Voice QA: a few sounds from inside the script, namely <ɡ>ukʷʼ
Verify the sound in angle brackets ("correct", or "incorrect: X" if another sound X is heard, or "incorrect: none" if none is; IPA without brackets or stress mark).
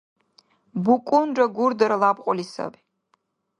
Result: incorrect: b